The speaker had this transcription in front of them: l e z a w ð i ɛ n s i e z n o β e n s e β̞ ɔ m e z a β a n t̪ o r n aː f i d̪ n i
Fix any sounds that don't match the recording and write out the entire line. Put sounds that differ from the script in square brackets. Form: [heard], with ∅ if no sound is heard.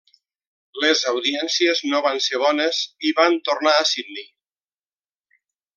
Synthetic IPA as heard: l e z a w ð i ɛ n s i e z n o β [a] n s e β̞ ɔ [n] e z [i] β a n t̪ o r n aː [s] i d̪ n i